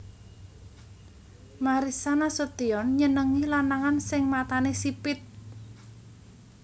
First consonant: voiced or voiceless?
voiced